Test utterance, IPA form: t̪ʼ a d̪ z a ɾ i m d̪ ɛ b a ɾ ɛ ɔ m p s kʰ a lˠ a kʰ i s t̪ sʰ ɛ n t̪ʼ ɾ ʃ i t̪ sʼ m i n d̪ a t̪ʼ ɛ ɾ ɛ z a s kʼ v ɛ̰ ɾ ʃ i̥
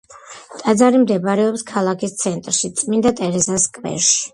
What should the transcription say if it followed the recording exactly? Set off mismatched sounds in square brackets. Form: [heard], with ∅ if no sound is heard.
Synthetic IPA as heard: t̪ʼ a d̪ z a ɾ i m d̪ ɛ b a ɾ ɛ ɔ [∅] p s kʰ a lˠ a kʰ i s t̪ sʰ ɛ n t̪ʼ ɾ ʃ i t̪ sʼ m i n d̪ a t̪ʼ ɛ ɾ ɛ z a s kʼ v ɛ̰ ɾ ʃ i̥